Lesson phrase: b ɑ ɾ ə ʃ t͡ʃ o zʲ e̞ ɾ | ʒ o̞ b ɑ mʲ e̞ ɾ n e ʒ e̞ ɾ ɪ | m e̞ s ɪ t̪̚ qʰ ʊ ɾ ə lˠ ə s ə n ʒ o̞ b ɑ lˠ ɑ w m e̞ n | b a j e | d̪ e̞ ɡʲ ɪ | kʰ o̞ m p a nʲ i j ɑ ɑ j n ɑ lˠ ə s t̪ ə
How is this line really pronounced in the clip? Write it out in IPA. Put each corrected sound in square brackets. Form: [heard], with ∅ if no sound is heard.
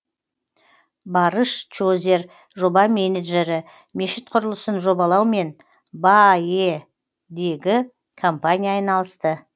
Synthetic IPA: b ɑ ɾ ə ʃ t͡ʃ o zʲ e̞ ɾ | ʒ o̞ b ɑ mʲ e̞ [∅] n e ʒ e̞ ɾ ɪ | m e̞ [ʃ] ɪ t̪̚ qʰ ʊ ɾ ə lˠ ə s ə n ʒ o̞ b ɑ lˠ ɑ w m e̞ n | b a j e | d̪ e̞ ɡʲ ɪ | kʰ o̞ m p a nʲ i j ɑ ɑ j n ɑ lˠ ə s t̪ ə